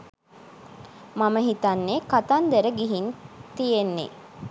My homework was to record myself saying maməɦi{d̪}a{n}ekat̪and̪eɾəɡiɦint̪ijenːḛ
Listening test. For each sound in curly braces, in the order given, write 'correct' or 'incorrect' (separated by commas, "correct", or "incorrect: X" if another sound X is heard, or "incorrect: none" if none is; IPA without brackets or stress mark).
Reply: incorrect: t̪, incorrect: nː